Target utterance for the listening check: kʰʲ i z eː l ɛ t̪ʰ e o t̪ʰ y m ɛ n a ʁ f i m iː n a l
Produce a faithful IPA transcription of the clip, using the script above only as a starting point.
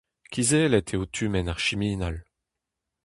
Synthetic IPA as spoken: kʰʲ i z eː l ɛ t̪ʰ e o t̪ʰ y m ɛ n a ʁ ʃ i m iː n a l

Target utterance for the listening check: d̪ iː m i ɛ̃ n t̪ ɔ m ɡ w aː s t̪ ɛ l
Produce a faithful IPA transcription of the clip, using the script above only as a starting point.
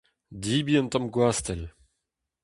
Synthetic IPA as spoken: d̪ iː b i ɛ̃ n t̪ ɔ m ɡ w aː s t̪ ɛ l

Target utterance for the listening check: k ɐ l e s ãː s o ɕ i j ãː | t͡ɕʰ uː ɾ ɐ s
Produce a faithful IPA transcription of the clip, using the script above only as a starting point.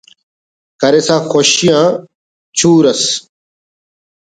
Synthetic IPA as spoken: k ɐ ɾ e s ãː x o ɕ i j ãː | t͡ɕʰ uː ɾ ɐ s

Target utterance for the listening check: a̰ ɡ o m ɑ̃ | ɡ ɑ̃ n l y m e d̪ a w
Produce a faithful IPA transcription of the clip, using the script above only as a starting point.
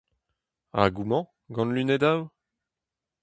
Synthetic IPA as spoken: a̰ ɡ u m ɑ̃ | ɡ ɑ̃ n l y n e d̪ a w

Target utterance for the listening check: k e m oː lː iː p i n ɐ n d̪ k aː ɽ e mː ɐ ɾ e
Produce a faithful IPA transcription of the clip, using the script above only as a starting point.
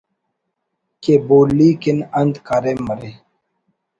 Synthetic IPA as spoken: k e b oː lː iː k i n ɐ n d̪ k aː ɾ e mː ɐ ɾ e

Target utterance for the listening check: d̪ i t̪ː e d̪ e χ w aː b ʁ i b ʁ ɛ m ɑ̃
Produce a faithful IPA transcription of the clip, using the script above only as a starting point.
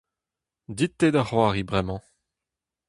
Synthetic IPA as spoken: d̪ i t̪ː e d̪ a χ w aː ʁ i b ʁ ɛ m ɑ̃

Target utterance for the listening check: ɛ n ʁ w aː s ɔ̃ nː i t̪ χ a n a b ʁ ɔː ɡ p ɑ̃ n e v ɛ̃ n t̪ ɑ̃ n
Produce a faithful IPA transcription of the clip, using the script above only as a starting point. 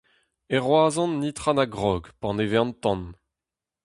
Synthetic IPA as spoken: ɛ ʁ w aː z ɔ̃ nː i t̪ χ a n a ɡ ʁ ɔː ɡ p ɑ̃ n e v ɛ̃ n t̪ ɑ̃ n

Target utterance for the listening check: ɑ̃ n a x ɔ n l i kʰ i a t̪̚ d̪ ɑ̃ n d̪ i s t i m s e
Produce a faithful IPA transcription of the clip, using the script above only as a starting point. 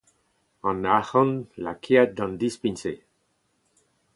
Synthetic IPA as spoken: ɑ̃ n a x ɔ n l a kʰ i a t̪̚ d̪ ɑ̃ n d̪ i s p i n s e

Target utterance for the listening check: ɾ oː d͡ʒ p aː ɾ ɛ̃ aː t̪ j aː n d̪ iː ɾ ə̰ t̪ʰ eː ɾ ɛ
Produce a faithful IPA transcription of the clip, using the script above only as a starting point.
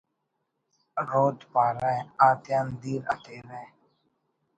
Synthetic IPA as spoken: ɾ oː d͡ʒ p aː ɾ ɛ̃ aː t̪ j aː n d̪ iː ɾ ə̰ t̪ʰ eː ɾ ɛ

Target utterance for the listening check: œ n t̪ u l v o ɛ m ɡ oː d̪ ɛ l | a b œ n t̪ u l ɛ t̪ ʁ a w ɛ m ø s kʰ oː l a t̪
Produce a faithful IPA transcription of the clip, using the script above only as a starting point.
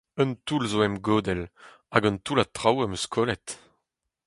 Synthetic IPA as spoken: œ n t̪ u l z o ɛ m ɡ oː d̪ ɛ l | a ɡ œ n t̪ u l a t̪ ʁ a w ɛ m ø s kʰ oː l ɛ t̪

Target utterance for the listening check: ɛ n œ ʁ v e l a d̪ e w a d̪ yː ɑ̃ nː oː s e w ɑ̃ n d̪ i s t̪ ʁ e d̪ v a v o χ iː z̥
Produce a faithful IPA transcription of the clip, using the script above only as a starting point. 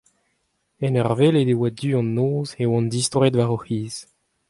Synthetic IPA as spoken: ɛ n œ ʁ v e l e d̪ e w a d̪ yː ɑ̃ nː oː z e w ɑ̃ n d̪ i s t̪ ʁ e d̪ v a ʁ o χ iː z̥

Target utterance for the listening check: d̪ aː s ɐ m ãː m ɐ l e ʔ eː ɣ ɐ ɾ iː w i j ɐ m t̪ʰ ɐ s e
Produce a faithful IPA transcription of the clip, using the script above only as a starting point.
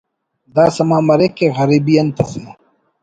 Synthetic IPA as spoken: d̪ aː s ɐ m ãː m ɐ ɾ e k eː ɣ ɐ ɾ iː b i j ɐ n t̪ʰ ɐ s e

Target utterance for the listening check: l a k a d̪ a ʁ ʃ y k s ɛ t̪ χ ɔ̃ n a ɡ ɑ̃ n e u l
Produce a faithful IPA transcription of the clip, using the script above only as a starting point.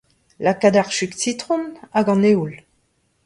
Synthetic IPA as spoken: l a k a d̪ a ʁ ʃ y k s i t̪ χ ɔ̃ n a ɡ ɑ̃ n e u l

